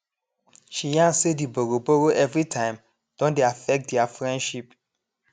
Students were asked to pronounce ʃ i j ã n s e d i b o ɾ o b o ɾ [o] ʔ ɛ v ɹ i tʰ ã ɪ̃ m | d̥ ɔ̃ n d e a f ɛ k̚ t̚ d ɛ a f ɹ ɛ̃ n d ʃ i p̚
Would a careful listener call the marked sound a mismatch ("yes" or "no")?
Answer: no